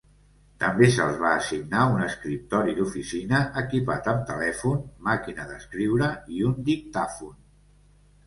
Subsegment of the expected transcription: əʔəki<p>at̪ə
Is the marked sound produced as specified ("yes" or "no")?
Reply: yes